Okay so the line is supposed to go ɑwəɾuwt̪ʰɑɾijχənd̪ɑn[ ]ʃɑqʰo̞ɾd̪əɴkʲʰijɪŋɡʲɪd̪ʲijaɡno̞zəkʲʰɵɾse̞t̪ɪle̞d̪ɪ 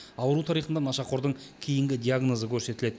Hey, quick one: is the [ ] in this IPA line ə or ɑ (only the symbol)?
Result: ɑ